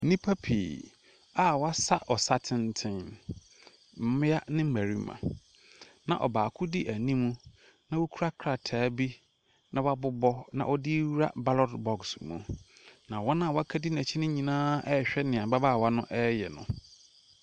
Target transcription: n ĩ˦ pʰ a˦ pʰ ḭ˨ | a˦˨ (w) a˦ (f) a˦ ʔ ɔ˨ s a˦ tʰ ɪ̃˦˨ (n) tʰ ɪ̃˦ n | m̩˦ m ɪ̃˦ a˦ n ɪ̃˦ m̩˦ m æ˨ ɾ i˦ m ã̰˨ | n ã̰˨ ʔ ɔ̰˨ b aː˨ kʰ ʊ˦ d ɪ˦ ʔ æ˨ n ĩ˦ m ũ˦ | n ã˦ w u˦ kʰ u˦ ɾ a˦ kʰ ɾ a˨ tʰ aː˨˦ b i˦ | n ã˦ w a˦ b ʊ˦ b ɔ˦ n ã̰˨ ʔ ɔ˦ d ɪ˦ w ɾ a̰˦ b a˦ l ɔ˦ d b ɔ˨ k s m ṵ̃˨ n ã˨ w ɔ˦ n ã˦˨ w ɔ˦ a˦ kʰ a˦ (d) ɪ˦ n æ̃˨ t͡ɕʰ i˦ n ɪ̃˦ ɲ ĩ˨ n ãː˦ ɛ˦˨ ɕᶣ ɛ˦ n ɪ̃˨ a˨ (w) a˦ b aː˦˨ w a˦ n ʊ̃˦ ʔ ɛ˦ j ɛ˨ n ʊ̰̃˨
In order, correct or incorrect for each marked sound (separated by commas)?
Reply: correct, incorrect, correct, correct, incorrect